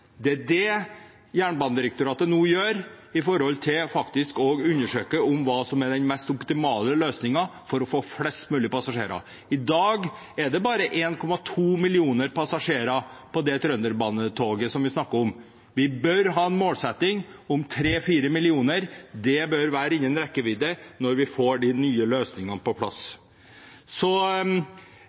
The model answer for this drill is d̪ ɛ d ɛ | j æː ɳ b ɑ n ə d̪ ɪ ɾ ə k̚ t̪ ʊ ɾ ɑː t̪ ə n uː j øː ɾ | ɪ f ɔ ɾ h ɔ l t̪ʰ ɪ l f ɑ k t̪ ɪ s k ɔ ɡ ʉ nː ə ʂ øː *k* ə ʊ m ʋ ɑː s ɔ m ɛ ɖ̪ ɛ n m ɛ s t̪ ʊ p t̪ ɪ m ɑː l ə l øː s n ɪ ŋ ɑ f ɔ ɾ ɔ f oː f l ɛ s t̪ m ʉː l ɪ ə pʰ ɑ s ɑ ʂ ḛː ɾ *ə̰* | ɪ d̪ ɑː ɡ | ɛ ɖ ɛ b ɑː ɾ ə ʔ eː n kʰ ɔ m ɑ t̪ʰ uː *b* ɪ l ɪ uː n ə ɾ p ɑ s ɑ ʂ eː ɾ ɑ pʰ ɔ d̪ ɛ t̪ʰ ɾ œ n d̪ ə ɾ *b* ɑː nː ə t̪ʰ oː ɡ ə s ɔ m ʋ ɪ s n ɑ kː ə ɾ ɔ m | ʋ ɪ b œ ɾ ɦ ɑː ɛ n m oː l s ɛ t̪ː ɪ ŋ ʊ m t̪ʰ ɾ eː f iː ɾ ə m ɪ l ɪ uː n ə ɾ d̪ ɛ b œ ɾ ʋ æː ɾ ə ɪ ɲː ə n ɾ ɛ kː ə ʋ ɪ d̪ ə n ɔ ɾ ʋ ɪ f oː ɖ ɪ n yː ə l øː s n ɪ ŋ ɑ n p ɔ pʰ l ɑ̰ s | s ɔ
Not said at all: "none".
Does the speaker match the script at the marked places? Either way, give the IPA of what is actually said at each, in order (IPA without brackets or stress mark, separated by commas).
k, ɑ̰, m, b